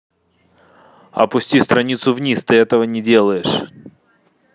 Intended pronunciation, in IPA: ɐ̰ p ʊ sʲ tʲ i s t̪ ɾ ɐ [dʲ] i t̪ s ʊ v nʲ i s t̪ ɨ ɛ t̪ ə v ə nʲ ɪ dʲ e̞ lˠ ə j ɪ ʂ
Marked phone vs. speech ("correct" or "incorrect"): incorrect